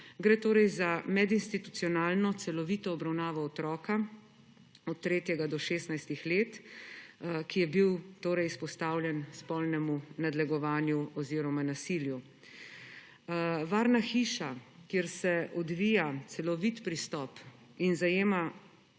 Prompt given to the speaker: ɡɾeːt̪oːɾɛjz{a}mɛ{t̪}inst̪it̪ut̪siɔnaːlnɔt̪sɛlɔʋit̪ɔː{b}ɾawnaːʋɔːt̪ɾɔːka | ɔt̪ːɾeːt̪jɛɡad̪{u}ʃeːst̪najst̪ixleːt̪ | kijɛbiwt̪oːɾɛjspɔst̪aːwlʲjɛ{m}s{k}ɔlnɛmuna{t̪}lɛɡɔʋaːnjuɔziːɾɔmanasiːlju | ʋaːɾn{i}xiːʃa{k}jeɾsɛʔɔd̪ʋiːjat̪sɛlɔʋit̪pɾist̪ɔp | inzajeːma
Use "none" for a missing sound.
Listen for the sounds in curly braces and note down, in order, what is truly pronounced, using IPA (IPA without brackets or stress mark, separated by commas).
a, d̪, b, ɔ, n, p, d̪, a, k